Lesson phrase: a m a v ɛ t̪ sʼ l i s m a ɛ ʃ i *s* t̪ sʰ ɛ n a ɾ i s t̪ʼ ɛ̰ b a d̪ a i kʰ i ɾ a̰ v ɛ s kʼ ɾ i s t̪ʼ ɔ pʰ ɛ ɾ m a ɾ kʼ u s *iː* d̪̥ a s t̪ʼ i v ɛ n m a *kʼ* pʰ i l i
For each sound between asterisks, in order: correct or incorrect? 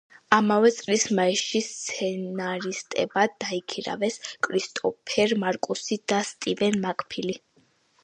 correct, incorrect: i, correct

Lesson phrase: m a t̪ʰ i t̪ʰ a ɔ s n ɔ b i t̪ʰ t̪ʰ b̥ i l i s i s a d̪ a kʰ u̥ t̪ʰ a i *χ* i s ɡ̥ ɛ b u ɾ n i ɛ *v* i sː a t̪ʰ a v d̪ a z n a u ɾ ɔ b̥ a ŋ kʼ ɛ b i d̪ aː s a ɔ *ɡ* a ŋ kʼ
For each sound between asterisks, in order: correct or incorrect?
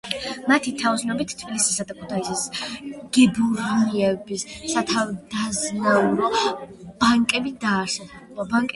incorrect: s, incorrect: b, incorrect: b

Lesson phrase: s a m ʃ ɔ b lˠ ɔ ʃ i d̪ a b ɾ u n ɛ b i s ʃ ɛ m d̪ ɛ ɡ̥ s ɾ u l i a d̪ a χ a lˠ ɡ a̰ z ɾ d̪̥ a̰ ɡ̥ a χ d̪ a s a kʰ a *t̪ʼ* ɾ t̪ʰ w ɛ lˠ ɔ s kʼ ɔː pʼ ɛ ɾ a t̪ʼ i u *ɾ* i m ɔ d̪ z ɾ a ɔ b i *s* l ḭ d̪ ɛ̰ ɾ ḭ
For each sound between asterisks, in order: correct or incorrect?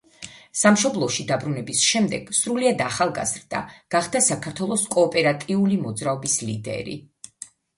incorrect: none, incorrect: l, correct

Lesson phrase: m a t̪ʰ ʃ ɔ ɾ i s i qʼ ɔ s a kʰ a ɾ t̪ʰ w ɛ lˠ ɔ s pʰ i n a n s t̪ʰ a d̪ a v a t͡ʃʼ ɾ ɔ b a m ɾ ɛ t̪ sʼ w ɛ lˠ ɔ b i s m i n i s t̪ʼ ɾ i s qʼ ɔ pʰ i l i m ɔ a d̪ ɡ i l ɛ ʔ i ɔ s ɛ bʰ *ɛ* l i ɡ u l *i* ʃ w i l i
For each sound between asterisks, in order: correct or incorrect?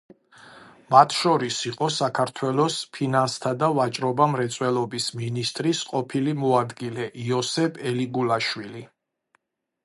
correct, incorrect: a

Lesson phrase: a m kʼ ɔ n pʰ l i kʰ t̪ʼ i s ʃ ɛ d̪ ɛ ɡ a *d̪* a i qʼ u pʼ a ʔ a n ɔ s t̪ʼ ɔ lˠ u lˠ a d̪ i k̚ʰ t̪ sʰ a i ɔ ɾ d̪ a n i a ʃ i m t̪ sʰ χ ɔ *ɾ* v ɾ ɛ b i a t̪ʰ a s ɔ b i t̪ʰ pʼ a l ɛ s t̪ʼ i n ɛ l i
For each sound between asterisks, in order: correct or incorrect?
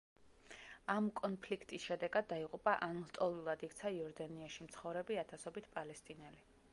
incorrect: d̪ː, incorrect: none

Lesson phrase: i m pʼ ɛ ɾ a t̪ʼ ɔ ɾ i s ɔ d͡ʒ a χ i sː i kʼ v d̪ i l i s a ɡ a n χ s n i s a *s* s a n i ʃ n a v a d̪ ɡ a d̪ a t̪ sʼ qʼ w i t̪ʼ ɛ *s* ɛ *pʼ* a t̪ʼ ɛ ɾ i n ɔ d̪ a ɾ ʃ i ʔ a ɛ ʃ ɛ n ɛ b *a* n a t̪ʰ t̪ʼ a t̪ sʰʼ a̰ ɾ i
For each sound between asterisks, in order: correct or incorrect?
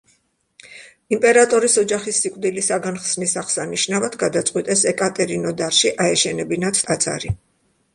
incorrect: χ, correct, incorrect: kʼ, incorrect: i

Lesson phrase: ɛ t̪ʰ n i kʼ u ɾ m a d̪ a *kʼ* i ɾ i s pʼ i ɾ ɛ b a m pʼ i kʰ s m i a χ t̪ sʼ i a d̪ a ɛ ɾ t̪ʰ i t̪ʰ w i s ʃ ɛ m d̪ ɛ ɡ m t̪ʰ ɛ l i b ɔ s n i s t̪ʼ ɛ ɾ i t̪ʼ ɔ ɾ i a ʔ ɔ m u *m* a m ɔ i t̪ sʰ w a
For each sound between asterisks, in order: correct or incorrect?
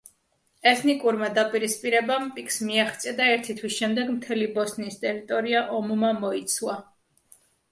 incorrect: pʼ, correct

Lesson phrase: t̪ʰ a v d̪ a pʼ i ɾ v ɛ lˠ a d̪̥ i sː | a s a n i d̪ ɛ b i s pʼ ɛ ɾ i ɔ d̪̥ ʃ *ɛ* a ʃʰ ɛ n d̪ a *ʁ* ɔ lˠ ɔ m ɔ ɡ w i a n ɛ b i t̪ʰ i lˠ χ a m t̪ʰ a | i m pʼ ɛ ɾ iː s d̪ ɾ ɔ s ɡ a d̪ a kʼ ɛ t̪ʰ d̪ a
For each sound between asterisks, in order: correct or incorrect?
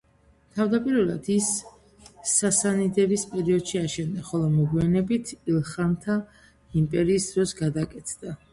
incorrect: i, incorrect: χ

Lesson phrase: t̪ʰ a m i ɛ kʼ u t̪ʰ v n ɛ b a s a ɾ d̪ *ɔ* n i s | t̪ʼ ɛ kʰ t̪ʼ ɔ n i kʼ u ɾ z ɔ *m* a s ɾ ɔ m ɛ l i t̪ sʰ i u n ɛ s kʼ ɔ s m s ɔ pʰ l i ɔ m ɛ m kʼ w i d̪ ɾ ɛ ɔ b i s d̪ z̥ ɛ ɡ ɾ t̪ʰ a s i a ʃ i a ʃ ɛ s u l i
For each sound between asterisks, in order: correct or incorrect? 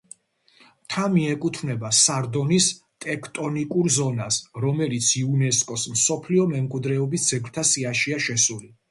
correct, incorrect: n

